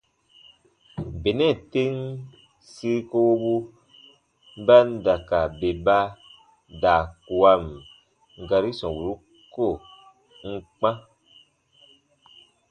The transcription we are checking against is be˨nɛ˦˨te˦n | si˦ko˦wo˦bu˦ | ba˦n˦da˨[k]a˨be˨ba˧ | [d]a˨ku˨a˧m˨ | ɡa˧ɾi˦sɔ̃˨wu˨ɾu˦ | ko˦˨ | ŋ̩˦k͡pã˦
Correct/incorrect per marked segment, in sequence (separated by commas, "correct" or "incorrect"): correct, correct